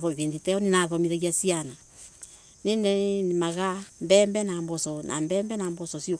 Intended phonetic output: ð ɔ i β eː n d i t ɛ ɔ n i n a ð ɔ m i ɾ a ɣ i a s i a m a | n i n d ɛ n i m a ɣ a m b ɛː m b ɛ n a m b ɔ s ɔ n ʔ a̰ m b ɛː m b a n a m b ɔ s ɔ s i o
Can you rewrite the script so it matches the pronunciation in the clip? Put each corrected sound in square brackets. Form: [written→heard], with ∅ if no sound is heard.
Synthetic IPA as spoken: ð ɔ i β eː n d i t ɛ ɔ n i n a ð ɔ m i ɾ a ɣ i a s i a [m→n] a | n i n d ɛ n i m a ɣ a m b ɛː m b ɛ n a m b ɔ s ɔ n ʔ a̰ m b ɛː m b [a→ɛ] n a m b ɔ s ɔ s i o